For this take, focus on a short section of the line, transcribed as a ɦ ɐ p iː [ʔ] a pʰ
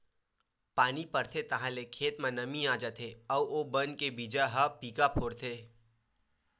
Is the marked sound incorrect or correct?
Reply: incorrect